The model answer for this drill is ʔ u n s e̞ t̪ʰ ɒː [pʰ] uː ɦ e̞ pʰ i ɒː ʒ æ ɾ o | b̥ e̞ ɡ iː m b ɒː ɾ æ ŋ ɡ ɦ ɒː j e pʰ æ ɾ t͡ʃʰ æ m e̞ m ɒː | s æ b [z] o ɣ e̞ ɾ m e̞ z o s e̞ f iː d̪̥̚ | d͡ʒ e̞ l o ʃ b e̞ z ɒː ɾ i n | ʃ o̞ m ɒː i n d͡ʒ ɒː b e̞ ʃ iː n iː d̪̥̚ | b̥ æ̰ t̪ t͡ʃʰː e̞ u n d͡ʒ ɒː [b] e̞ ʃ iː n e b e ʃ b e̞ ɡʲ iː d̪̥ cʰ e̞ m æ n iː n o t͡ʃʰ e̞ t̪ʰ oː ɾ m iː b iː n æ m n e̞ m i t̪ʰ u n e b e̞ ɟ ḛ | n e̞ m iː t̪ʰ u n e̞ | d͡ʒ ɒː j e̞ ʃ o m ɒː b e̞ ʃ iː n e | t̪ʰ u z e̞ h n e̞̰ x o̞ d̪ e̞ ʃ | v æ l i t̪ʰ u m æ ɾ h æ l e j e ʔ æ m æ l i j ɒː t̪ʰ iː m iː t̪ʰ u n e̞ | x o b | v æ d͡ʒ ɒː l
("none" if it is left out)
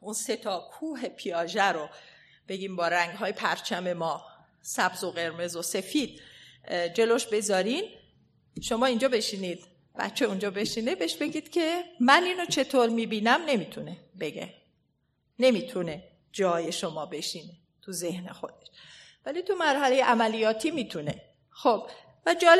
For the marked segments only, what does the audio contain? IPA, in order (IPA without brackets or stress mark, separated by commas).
kʰ, z, b